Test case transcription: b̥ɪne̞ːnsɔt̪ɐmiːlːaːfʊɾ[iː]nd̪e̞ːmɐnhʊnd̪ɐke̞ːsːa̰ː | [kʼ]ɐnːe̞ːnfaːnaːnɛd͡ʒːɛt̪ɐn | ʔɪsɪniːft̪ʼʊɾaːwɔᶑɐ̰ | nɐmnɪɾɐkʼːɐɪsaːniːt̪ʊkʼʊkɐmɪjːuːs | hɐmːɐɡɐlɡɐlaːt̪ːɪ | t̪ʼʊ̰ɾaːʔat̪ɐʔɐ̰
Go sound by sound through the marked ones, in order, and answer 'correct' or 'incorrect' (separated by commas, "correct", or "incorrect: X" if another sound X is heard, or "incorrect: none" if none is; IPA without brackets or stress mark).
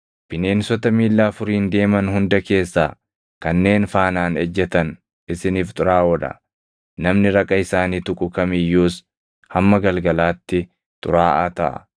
correct, incorrect: k